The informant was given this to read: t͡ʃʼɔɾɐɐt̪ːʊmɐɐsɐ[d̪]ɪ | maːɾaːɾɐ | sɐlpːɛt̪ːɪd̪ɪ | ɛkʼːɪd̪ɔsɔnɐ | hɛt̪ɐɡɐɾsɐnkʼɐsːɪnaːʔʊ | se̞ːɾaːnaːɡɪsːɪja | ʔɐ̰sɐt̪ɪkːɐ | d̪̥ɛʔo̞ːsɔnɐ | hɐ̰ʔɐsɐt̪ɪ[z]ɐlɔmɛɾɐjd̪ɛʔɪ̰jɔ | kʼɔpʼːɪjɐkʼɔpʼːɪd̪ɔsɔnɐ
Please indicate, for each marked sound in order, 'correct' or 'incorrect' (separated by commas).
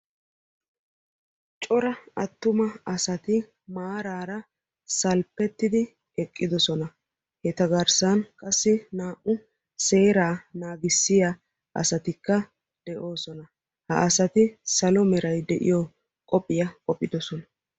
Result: incorrect, incorrect